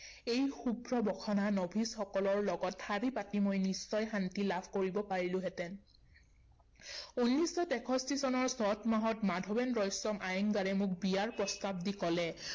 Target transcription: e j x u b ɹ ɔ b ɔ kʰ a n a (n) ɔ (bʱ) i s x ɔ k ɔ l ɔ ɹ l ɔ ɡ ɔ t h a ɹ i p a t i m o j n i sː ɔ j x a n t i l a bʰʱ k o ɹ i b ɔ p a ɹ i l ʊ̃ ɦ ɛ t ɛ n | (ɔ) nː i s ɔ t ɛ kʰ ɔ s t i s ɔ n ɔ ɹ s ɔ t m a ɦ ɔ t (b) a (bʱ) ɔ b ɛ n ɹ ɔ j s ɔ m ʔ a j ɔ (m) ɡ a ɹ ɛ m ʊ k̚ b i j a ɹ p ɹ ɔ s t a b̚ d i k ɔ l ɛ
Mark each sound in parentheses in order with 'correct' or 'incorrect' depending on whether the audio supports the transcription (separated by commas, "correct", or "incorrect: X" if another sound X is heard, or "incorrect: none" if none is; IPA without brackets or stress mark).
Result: correct, correct, incorrect: u, incorrect: m, incorrect: dʱ, incorrect: ŋ